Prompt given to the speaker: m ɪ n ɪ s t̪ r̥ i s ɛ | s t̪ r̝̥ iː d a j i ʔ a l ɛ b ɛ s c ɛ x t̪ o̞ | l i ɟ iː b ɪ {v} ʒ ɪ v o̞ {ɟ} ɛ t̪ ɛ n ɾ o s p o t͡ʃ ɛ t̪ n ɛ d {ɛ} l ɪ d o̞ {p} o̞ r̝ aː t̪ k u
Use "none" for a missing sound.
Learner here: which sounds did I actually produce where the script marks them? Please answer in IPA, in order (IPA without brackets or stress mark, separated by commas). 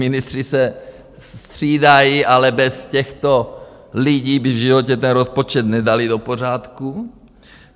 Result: v, c, a, p